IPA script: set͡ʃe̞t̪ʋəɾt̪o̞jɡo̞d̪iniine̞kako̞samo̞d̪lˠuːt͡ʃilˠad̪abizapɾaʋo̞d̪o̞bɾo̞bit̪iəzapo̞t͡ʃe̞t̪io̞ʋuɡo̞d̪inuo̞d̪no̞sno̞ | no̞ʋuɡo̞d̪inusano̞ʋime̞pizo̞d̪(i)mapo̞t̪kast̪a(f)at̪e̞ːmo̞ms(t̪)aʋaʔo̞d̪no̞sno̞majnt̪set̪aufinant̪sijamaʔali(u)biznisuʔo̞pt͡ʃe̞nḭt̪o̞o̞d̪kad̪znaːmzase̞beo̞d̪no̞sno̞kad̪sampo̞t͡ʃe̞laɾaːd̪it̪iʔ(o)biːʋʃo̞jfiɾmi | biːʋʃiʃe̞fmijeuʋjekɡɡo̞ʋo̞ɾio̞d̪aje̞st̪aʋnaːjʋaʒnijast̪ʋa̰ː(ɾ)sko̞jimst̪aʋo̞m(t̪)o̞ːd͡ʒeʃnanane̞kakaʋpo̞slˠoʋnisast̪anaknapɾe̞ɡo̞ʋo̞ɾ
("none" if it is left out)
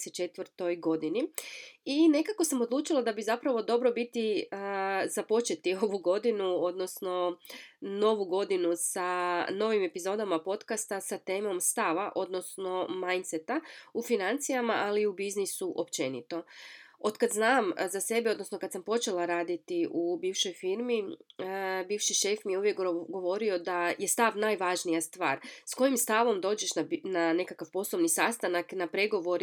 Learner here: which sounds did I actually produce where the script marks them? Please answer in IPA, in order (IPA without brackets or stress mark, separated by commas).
a, s, t̪, u, u, ɾ, d̪